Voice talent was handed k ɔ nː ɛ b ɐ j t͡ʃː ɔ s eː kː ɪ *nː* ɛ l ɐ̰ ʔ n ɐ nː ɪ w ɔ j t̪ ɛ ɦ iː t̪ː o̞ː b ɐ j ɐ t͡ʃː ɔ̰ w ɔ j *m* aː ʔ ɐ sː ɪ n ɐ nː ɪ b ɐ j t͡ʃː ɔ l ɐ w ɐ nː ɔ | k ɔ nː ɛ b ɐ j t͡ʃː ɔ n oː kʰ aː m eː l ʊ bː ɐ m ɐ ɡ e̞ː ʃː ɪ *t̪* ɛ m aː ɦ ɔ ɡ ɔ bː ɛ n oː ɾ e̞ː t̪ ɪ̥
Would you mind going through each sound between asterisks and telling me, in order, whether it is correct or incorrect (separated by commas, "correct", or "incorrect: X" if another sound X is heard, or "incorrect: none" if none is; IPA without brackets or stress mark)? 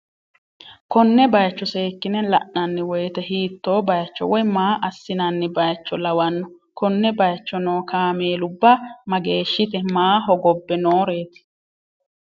incorrect: n, correct, correct